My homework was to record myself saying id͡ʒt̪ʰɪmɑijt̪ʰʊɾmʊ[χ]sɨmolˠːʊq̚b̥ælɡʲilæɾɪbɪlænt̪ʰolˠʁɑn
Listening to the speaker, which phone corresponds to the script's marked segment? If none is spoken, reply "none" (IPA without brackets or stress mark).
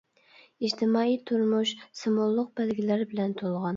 ʃ